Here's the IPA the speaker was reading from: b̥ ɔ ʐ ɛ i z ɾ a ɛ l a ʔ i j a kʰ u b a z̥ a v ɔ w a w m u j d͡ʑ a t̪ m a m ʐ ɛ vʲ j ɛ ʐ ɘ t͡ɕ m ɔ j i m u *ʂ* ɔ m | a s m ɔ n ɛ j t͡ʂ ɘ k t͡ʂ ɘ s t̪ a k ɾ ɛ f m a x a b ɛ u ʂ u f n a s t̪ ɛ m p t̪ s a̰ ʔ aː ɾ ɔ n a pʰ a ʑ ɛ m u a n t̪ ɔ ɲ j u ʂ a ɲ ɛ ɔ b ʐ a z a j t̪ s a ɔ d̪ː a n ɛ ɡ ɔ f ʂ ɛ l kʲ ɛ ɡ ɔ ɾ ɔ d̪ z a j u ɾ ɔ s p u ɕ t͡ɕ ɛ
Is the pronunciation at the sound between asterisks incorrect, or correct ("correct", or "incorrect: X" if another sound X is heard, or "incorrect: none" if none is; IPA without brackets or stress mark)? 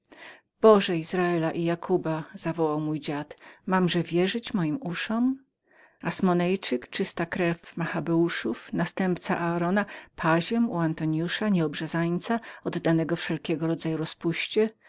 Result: correct